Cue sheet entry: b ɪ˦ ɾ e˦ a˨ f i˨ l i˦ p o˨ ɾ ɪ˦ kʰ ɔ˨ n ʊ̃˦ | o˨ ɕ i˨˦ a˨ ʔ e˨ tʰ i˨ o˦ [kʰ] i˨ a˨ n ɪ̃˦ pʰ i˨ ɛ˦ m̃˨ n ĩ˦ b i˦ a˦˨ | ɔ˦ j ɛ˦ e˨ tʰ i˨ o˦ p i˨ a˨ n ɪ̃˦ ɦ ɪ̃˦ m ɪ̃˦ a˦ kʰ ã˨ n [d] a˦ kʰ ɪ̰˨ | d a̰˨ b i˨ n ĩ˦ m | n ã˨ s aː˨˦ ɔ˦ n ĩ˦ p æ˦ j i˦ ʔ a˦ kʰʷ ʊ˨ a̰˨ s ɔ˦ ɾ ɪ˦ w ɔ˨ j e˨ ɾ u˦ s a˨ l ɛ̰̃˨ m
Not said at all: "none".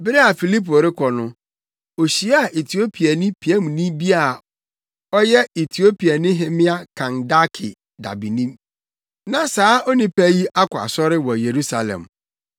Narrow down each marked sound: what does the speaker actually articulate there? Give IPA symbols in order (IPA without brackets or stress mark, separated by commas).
pʰ, d